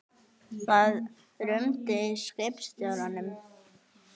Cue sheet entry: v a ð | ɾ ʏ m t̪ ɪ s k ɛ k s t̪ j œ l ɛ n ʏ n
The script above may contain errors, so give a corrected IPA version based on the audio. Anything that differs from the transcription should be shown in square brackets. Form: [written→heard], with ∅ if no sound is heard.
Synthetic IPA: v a ð | ɾ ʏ m t̪ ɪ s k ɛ [k→p] s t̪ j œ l [ɛ→a] n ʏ [n→m]